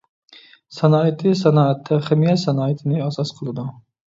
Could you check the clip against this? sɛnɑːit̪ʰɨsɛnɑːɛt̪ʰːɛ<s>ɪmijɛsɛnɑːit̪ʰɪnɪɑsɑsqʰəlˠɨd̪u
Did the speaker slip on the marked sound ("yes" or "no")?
yes